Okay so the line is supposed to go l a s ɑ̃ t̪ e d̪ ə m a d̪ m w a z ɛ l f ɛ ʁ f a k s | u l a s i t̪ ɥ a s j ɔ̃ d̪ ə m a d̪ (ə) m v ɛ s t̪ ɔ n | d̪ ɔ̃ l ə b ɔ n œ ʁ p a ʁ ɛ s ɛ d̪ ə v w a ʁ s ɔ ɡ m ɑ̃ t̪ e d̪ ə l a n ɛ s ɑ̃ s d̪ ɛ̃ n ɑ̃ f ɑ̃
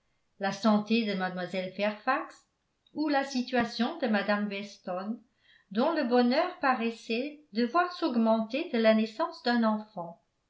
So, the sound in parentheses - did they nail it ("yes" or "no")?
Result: no